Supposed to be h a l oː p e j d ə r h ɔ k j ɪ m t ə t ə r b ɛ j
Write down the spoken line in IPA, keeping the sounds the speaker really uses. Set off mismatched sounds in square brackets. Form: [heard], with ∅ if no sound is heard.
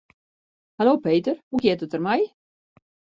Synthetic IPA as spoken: h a l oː p e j [t] ə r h [u] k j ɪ [∅] t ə t ə r [m] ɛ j